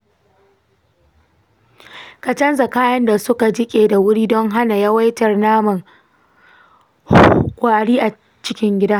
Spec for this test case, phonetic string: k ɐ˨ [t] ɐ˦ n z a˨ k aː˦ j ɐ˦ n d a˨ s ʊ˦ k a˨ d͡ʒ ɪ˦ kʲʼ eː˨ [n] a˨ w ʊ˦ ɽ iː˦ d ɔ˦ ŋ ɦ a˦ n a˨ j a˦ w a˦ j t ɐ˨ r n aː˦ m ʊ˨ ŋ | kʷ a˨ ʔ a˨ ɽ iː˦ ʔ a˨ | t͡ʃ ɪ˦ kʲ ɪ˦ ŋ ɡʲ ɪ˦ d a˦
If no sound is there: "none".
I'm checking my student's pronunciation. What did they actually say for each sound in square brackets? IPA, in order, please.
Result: t͡ʃ, d

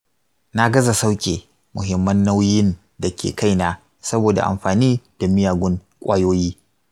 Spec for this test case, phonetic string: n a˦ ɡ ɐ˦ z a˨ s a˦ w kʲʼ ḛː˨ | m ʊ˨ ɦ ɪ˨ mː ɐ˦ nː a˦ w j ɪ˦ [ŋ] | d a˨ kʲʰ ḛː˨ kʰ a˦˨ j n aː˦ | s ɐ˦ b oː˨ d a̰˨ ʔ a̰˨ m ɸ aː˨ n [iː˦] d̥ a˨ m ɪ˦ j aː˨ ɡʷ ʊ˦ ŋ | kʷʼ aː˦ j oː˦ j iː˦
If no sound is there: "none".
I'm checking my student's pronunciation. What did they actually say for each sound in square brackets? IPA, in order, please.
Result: n, iː˦

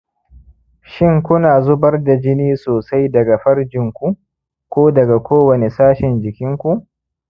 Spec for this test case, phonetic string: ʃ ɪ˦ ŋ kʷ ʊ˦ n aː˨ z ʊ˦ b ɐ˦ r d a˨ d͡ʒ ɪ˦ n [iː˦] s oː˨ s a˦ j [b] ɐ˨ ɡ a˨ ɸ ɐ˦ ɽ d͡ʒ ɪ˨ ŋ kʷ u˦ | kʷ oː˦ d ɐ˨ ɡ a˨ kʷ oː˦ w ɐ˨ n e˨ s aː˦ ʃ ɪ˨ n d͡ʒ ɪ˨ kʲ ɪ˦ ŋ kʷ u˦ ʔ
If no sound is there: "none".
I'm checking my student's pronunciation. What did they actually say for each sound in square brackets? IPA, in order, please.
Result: iː˦, d

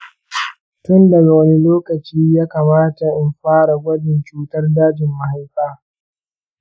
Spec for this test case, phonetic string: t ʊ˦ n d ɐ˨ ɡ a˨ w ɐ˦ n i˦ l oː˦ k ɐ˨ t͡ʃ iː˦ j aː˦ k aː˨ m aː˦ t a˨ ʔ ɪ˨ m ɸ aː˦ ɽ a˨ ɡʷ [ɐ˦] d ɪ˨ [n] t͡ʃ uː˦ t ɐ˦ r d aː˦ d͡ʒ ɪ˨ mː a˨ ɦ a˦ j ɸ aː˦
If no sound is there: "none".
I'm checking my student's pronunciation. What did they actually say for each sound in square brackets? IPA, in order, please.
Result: ɐ˦, n

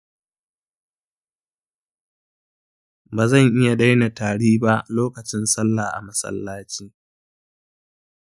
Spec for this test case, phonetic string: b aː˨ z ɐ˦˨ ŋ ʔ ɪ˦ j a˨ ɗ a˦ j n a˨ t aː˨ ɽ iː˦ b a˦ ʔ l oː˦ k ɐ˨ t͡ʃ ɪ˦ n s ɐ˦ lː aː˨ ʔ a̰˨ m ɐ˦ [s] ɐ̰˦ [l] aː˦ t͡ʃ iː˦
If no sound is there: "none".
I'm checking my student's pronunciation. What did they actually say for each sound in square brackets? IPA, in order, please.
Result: s, lː

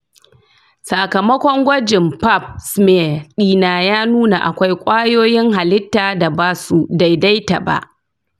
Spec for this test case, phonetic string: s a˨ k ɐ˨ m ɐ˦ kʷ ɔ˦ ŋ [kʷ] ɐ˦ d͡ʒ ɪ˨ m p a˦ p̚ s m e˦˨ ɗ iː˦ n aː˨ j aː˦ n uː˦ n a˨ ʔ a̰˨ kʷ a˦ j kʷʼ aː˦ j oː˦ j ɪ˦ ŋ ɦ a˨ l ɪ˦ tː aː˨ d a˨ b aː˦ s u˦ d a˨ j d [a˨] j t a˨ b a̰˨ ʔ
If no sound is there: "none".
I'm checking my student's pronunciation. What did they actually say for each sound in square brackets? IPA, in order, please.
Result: ɡʷ, a˦

